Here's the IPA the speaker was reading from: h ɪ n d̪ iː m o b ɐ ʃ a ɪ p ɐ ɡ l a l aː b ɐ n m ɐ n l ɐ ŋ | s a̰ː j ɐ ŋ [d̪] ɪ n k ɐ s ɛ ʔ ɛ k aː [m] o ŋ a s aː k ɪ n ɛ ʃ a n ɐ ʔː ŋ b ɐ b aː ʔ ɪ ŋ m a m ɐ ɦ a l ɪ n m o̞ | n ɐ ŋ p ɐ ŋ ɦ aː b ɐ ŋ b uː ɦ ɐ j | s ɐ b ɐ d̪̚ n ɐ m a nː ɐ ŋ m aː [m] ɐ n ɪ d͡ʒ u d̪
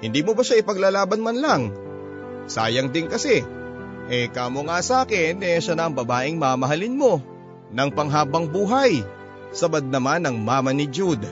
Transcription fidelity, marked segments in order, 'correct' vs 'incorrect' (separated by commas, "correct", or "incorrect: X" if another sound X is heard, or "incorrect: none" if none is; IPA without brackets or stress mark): correct, correct, correct